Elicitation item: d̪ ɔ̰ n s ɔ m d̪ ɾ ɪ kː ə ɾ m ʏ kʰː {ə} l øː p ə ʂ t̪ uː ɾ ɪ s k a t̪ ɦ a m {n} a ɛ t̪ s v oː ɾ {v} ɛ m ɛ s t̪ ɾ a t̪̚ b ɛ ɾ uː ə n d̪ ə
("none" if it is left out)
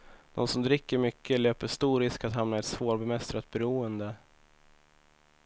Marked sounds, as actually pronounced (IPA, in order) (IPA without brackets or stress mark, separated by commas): ə, n, b